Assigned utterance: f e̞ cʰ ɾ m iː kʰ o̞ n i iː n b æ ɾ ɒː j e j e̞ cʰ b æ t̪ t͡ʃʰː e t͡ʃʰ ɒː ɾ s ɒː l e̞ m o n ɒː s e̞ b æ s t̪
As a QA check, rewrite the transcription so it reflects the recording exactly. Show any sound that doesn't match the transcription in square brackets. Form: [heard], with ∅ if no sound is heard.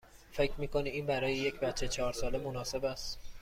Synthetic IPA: f e̞ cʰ ɾ m iː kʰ o̞ n i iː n b æ ɾ ɒː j e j e̞ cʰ b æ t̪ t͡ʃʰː e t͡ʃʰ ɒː ɾ s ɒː l e̞ m o n ɒː s e̞ b æ s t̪

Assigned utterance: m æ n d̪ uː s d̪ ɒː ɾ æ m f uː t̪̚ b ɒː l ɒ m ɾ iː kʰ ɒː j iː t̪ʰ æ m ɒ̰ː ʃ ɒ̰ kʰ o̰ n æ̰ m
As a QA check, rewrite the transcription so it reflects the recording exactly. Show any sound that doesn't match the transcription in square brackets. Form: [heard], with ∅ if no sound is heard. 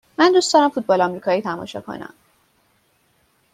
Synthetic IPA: m æ n d̪ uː s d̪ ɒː ɾ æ m f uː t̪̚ b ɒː l ɒ m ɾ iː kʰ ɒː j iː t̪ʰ æ m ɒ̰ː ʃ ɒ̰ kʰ o̰ n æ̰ m

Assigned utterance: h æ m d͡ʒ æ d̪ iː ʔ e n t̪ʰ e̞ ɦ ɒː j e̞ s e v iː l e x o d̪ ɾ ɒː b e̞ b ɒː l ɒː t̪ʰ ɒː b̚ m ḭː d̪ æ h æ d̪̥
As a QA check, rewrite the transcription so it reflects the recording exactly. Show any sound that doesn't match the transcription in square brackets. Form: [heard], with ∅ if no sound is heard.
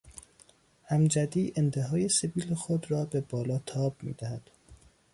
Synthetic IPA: h æ m d͡ʒ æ d̪ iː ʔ e n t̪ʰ e̞ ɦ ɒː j e̞ s e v iː l e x o d̪ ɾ ɒː b e̞ b ɒː l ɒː t̪ʰ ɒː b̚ m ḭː d̪ æ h æ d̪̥

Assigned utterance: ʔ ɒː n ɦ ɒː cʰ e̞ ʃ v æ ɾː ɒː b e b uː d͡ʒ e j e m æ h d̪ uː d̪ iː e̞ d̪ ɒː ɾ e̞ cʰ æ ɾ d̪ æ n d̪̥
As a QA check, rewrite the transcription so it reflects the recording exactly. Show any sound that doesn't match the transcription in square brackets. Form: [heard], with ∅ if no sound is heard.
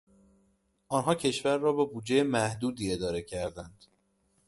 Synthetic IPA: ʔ ɒː n ɦ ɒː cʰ e̞ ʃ v æ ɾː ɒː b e b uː d͡ʒ e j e m æ h d̪ uː d̪ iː e̞ d̪ ɒː ɾ e̞ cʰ æ ɾ d̪ æ n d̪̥

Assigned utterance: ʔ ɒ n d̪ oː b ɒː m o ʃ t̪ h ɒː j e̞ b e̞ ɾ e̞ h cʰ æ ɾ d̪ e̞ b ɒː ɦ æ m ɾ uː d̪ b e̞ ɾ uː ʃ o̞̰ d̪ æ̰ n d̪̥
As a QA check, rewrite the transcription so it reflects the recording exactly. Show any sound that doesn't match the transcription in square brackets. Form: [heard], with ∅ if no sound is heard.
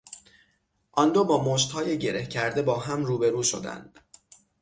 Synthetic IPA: ʔ ɒ n d̪ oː b ɒː m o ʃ t̪ h ɒː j e̞ [ɟ] e̞ ɾ e̞ h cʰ æ ɾ d̪ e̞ b ɒː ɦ æ m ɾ uː [∅] b e̞ ɾ uː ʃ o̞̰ d̪ æ̰ n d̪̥

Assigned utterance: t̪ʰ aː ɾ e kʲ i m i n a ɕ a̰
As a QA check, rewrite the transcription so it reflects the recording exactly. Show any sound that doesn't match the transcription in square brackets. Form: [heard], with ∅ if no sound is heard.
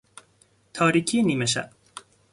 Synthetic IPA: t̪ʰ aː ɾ [i] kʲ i [n] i [m] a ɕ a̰

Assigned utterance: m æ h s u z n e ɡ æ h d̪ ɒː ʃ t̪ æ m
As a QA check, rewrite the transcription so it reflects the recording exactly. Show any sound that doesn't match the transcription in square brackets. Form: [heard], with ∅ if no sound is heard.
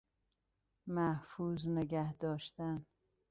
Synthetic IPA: m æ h [f] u z n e ɡ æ h d̪ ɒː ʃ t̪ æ [n]

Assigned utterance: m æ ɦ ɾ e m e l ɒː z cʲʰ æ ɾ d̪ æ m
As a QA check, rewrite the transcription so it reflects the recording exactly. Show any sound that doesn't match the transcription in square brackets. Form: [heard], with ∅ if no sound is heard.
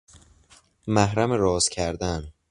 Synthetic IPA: m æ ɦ ɾ [æ] m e [ɾ] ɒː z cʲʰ æ ɾ d̪ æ [n]

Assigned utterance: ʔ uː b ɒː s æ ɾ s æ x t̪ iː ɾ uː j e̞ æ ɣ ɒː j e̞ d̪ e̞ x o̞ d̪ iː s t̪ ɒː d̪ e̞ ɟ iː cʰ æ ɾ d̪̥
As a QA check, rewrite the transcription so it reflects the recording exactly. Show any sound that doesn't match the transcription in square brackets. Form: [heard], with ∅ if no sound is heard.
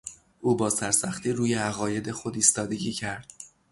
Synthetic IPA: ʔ uː b ɒː s æ ɾ s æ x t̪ iː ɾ uː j e̞ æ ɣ ɒː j e̞ d̪ e̞ x o̞ d̪ iː s t̪ ɒː d̪ e̞ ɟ iː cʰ æ ɾ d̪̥

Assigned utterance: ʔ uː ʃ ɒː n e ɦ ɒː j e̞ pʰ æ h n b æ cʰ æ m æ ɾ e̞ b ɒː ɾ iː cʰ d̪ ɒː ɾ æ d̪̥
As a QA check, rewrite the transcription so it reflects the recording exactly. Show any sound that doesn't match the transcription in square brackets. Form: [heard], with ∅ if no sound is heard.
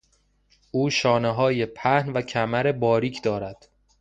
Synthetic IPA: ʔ uː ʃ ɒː n e ɦ ɒː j e̞ pʰ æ h n [v] æ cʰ æ m æ ɾ e̞ b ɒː ɾ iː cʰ d̪ ɒː ɾ æ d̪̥

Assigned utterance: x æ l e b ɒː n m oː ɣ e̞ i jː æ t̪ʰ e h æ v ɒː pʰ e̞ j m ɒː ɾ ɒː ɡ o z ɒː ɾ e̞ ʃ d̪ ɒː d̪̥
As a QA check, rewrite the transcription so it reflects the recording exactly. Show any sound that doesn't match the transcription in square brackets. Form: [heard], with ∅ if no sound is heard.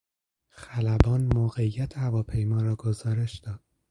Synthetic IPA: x æ l [æ] b ɒː n m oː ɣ e̞ i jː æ t̪ʰ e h æ v ɒː pʰ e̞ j m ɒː ɾ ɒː ɡ o z ɒː ɾ e̞ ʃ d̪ ɒː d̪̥

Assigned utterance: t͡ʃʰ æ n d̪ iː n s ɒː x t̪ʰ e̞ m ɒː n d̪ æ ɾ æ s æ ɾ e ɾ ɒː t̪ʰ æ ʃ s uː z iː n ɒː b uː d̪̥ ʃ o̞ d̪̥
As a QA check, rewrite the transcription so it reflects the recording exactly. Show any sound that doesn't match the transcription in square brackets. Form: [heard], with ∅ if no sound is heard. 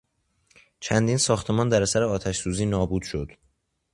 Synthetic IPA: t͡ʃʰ æ n d̪ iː n s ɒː x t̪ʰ e̞ m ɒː n d̪ æ ɾ æ s æ ɾ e [∅] ɒː t̪ʰ æ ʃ s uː z iː n ɒː b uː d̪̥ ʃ o̞ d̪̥

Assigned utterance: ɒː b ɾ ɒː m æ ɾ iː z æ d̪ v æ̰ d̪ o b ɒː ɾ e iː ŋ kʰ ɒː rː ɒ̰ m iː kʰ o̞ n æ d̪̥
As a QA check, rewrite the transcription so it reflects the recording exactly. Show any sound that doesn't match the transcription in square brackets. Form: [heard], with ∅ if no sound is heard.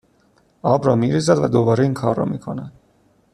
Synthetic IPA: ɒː b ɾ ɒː m [i] ɾ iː z æ d̪ v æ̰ d̪ o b ɒː ɾ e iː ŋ kʰ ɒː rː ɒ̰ m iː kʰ o̞ n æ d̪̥

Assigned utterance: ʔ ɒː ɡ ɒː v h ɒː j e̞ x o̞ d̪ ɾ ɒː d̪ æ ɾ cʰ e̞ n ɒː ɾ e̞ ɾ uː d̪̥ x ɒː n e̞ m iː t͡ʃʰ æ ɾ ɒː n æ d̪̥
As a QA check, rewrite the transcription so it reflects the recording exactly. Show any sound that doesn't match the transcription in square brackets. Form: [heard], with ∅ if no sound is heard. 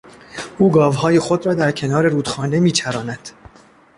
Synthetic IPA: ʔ [uː] ɡ ɒː v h ɒː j e̞ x o̞ d̪ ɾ ɒː d̪ æ ɾ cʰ e̞ n ɒː ɾ e̞ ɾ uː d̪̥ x ɒː n e̞ m iː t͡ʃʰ æ ɾ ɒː n æ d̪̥

